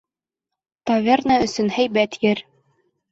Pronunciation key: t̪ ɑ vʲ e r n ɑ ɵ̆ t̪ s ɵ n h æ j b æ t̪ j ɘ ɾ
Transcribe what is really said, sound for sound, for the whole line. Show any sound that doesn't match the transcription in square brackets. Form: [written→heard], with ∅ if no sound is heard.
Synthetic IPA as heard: t̪ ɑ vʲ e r n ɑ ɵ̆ [t̪→∅] s ɵ n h æ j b æ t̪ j ɘ ɾ